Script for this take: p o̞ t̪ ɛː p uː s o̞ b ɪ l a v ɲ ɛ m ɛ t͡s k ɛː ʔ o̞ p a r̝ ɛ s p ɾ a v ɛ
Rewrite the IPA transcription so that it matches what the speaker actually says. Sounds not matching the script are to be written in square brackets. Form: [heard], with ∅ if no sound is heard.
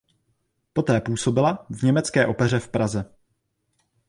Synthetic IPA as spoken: p o̞ t̪ ɛː p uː s o̞ b ɪ l a v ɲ ɛ m ɛ t͡s k ɛː ʔ o̞ p [ɛ] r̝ ɛ [f] p ɾ a [z] ɛ